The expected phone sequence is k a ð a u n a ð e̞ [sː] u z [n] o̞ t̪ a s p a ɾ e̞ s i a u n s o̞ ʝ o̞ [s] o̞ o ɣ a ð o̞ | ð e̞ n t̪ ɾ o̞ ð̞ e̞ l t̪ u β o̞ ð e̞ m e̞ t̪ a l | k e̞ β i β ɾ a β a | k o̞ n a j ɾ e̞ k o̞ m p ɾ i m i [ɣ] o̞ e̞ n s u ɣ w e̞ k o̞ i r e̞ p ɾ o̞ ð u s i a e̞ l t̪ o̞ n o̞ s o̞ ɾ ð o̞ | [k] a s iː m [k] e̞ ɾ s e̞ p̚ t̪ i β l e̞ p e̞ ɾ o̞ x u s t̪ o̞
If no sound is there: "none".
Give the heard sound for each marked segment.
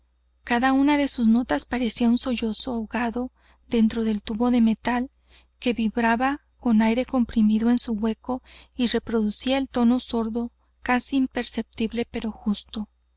s, n, s, ð, k, p

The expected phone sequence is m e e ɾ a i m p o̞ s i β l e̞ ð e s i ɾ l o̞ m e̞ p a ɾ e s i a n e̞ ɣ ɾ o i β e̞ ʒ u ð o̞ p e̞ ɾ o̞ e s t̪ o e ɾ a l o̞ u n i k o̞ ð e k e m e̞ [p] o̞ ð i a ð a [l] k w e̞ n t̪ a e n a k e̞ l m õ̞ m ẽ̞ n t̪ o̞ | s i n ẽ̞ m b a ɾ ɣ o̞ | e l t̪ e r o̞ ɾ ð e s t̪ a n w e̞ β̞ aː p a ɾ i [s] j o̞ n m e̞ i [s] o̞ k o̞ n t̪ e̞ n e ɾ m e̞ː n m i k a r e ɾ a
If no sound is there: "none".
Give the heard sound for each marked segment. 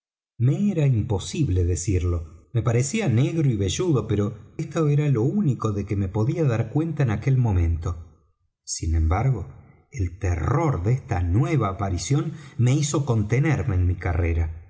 p, ɾ, s, s

